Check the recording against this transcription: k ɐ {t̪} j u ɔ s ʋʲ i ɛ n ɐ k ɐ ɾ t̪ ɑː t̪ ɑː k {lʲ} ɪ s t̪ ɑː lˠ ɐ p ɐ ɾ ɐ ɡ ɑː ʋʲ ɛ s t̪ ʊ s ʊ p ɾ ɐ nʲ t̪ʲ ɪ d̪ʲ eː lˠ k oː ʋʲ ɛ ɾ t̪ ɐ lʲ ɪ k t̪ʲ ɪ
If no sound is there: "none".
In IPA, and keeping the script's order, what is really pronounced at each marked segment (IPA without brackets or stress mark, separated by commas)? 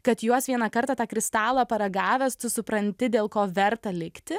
t̪, ɾʲ